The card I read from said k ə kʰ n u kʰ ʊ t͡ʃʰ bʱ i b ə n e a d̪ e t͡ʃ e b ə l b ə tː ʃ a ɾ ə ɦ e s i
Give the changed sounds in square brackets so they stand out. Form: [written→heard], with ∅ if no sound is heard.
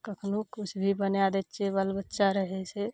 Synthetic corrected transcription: k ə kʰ n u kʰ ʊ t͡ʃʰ bʱ i b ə n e a d̪ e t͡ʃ e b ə l b ə tː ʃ a ɾ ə ɦ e s [i→e]